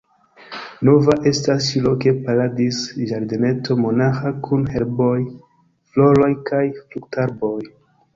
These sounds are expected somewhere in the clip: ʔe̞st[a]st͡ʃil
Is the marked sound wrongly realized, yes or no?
no